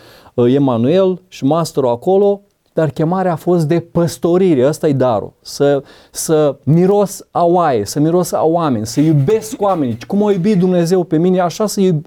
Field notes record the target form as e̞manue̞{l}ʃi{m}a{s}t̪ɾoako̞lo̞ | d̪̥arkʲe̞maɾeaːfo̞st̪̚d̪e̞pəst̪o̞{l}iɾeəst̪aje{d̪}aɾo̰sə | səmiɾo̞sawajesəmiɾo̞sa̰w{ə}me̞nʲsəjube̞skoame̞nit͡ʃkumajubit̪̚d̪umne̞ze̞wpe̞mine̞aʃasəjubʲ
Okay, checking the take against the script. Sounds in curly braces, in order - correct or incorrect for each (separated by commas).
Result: correct, correct, correct, incorrect, correct, incorrect